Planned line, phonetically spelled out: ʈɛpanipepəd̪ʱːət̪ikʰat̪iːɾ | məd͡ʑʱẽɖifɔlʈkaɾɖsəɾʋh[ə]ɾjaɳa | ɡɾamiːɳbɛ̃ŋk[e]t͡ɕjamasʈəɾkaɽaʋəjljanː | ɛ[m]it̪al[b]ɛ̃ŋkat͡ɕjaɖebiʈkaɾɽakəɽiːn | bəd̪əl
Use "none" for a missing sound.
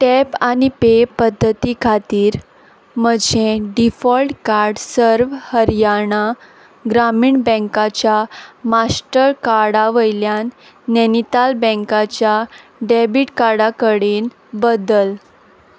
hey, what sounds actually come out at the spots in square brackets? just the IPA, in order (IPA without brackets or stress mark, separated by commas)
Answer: ə, a, n, b